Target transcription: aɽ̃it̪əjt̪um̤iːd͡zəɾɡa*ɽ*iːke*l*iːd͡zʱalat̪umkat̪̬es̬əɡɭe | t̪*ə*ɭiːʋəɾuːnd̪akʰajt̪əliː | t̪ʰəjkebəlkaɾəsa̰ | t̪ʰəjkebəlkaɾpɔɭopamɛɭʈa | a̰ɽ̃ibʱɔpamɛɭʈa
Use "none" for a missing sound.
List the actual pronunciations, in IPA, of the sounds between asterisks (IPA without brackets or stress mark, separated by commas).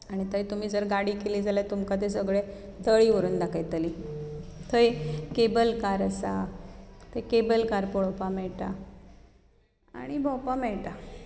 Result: ɽ, l, ə